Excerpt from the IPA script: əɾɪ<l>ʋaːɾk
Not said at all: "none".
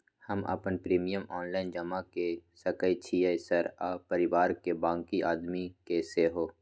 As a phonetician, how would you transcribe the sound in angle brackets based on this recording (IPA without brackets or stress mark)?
none